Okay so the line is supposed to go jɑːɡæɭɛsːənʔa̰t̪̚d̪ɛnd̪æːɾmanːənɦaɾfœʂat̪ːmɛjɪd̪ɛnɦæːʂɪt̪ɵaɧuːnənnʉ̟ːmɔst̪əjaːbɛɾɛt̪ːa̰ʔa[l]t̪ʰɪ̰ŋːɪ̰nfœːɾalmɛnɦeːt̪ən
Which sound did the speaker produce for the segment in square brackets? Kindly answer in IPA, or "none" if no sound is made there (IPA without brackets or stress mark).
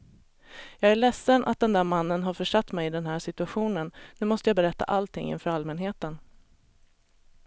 l